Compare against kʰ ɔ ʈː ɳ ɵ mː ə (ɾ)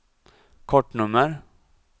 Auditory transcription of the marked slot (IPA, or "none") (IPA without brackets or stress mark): ɾ